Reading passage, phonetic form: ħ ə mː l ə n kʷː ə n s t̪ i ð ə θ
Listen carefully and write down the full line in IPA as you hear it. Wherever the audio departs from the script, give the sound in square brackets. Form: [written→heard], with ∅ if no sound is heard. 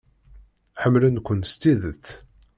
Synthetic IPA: ħ ə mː l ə n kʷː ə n s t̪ i ð ə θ

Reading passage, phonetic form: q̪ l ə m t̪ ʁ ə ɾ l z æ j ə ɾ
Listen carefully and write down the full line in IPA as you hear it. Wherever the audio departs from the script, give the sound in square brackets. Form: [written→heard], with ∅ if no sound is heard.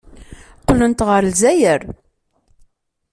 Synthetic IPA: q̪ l ə [m→n] t̪ ʁ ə ɾ l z æ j ə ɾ

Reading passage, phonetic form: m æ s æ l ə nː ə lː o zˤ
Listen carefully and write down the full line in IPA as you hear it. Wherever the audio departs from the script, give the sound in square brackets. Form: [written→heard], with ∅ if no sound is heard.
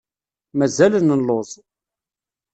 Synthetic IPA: m æ [s→z] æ l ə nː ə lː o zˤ

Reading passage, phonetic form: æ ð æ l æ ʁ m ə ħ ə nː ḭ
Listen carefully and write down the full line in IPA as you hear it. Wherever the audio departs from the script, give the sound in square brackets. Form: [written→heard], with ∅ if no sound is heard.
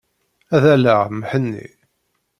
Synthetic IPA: æ ð æ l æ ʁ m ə ħ ə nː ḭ

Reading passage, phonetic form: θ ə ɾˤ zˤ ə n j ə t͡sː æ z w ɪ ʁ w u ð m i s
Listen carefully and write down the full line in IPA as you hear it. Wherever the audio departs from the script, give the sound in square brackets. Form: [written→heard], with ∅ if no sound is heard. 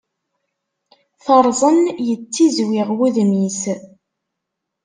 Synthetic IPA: θ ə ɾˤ zˤ ə n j ə t͡sː [æ→i] z w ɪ ʁ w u ð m i s

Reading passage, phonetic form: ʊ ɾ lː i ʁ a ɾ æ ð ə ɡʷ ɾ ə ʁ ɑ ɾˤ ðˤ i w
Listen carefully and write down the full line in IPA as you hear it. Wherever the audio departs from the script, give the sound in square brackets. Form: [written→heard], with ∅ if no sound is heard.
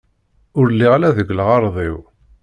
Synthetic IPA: ʊ ɾ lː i ʁ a [ɾ→l] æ ð ə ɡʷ [ɾ→l] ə ʁ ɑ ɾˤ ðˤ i w

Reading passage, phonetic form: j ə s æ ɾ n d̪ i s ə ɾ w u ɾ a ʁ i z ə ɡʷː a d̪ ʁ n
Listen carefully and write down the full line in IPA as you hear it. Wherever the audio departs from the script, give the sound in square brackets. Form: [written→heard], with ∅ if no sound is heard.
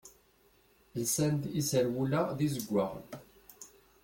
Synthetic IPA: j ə s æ [ɾ→∅] n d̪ i s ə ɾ w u [ɾ→l] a [ʁ→ð] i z ə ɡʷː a [d̪→∅] ʁ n

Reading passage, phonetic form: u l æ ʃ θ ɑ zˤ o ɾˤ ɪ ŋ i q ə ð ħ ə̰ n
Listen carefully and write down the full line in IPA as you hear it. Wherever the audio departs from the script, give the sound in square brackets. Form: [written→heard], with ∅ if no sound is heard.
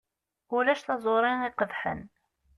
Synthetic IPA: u l æ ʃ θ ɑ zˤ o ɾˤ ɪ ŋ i q ə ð ħ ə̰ n

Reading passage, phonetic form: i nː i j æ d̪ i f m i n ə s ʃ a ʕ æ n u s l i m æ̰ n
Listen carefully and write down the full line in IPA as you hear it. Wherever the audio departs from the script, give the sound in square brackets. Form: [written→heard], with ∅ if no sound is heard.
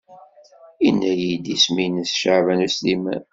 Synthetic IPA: i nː [i→æ] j [æ→i] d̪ i [f→s] m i n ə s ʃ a [ʕ→v] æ n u s l i m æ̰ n

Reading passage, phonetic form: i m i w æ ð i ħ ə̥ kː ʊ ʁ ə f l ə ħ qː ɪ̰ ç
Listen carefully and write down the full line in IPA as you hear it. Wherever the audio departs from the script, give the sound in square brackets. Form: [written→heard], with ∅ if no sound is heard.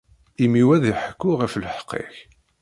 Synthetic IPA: i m i w æ ð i ħ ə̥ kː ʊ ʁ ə f l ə ħ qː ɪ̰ ç

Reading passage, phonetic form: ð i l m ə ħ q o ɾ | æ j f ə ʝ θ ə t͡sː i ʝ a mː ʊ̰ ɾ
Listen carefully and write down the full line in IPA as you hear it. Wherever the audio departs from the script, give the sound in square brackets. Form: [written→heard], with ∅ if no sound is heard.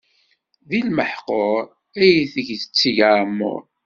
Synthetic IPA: ð i l m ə ħ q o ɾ | æ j [f→θ] ə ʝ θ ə t͡sː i ʝ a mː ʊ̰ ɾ

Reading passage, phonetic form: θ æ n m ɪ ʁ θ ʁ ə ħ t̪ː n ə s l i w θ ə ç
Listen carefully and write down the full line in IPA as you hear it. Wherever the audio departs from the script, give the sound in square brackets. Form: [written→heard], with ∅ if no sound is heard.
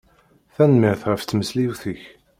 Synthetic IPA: θ æ n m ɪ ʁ θ ʁ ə [ħ→f] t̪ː [n→m] ə s l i w θ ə ç

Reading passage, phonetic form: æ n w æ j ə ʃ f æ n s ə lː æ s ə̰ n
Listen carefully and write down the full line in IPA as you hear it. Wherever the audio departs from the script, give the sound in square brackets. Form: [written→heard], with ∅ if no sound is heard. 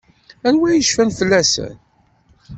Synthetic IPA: æ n w æ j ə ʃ f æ n [s→f] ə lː æ s ə̰ n

